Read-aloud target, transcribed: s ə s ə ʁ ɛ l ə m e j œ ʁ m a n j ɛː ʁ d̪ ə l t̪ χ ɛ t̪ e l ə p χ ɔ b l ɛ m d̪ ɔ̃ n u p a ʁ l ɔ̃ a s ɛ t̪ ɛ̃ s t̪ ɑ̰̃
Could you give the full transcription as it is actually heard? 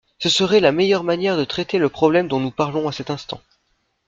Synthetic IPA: s ə s ə ʁ ɛ l a m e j œ ʁ m a n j ɛ ʁ d̪ ə t̪ χ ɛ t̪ e l ə p χ ɔ b l ɛ m d̪ ɔ̃ n u p a ʁ l ɔ̃ a s ɛ t̪ ɛ̃ s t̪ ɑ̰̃